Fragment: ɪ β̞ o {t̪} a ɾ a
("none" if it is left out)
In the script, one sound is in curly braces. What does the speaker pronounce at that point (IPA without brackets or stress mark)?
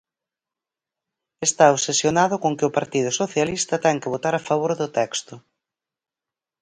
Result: t̪